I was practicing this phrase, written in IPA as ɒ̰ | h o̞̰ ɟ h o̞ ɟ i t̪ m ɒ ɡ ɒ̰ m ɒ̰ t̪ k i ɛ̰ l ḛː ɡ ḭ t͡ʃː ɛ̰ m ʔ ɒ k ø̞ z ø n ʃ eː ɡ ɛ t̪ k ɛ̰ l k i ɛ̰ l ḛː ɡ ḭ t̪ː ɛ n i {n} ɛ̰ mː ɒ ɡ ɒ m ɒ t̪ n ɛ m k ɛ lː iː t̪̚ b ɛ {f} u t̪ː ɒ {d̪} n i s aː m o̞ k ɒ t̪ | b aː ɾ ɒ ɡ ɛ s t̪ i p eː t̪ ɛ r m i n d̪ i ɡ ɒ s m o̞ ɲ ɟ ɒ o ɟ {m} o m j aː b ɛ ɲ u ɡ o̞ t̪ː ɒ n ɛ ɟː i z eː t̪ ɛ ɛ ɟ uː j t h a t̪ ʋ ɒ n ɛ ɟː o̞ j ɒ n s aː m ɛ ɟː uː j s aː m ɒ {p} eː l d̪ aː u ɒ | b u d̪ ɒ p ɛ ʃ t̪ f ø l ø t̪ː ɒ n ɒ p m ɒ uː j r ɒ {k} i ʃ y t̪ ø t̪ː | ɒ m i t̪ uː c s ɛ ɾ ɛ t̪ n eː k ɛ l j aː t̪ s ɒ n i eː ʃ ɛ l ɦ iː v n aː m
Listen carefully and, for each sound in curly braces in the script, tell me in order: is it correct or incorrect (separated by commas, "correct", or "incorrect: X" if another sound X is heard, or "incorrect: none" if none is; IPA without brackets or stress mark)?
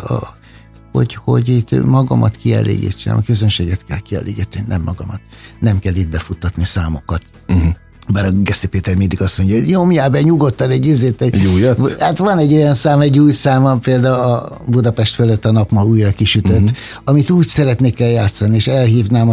correct, correct, incorrect: t̪, incorrect: ɲ, correct, correct